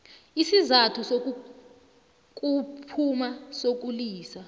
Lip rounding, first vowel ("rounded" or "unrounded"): unrounded